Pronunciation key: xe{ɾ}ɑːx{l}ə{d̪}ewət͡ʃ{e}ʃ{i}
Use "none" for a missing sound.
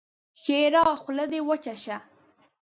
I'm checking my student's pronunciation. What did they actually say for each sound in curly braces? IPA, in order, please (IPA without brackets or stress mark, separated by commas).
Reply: ɾ, l, d̪, a, a